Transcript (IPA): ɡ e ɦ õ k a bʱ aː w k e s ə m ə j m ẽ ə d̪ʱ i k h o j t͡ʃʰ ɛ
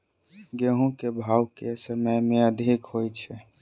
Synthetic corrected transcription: ɡ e ɦ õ k e bʱ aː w k e s ə m ə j m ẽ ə d̪ʱ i k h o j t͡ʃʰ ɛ